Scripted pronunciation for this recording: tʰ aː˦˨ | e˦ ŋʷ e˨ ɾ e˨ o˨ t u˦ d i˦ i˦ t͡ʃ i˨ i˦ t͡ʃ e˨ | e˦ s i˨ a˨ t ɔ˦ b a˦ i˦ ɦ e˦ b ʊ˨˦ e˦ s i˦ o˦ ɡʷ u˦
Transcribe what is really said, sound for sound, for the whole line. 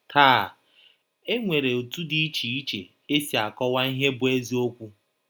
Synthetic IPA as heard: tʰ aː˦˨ | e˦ ŋʷ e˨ ɾ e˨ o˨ t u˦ d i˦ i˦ t͡ʃ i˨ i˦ t͡ʃ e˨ | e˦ s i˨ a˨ k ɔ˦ w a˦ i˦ ɦ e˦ b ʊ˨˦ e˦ z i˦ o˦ kʷ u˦